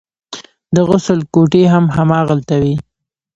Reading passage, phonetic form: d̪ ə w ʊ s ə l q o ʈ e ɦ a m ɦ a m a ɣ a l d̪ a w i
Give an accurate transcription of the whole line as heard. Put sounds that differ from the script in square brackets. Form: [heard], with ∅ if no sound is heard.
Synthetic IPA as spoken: d̪ ə [ɣ] ʊ s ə l [k] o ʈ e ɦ a m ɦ a m [ɑ] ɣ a l [t̪] a w i